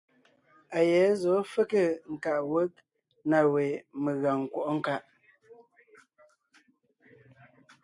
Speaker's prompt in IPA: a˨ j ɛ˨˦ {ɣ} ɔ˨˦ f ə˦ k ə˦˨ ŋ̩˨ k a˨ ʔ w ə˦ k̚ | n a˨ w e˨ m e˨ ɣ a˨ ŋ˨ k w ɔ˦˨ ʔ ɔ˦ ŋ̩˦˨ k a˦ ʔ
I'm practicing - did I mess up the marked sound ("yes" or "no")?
yes